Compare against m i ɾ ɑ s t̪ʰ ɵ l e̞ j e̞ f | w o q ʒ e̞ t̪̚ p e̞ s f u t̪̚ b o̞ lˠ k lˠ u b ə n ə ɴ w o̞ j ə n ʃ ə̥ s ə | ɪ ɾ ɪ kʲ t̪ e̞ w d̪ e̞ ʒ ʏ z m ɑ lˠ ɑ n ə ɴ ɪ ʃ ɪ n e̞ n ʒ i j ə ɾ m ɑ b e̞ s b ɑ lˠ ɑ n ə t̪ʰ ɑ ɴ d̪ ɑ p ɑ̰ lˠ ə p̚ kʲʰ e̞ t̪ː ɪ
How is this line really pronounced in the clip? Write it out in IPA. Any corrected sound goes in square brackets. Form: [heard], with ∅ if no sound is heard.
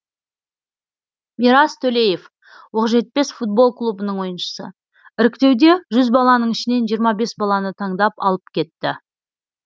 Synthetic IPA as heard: m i ɾ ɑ s t̪ʰ ɵ l e̞ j e̞ f | w o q ʒ e̞ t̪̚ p e̞ s f u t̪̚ b o̞ lˠ k lˠ u b ə n ə ɴ w o̞ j ə n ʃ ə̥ s ə | ɪ ɾ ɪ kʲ t̪ e̞ w d̪ e̞ ʒ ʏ z [b] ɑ lˠ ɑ n ə ɴ ɪ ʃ ɪ n e̞ n ʒ i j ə ɾ m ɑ b e̞ s b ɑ lˠ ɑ n ə t̪ʰ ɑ ɴ d̪ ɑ p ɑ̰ lˠ ə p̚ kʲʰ e̞ t̪ː ɪ

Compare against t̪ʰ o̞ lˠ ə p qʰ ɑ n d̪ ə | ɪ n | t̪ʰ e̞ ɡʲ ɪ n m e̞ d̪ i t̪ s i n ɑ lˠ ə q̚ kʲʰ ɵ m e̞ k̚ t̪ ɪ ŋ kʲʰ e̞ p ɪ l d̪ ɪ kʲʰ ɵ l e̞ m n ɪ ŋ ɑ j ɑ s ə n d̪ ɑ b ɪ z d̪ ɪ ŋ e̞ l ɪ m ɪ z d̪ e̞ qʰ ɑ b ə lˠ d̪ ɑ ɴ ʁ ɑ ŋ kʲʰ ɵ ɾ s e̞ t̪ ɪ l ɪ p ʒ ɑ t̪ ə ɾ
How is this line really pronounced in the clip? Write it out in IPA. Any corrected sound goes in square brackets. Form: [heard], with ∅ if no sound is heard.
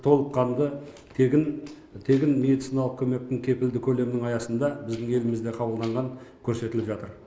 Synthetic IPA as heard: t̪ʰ o̞ lˠ ə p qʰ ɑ n d̪ ə | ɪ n | t̪ʰ e̞ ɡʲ ɪ n m e̞ d̪ i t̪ s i n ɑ lˠ ə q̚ kʲʰ ɵ m e̞ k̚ t̪ ɪ ŋ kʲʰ e̞ p ɪ l d̪ ɪ kʲʰ ɵ l e̞ m n ɪ ŋ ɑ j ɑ s ə n d̪ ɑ b ɪ z d̪ ɪ ŋ e̞ l ɪ m ɪ z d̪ e̞ qʰ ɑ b ə lˠ d̪ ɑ ɴ ʁ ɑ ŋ kʲʰ ɵ ɾ s e̞ t̪ ɪ l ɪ p ʒ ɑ t̪ ə ɾ

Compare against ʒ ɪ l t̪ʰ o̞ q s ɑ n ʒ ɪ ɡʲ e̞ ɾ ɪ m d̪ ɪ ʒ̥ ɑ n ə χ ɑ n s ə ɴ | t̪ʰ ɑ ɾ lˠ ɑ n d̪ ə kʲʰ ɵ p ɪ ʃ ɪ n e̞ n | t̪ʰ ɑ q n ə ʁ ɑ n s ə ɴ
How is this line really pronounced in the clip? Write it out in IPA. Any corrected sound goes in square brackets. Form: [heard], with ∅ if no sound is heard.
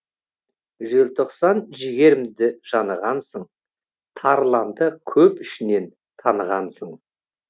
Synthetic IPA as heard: ʒ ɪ l t̪ʰ o̞ q s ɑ n ʒ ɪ ɡʲ e̞ ɾ ɪ m d̪ ɪ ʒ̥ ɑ n ə [ʁ] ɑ n s ə ɴ | t̪ʰ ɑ ɾ lˠ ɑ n d̪ ə kʲʰ ɵ p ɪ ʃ ɪ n e̞ n | t̪ʰ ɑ [∅] n ə ʁ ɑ n s ə ɴ

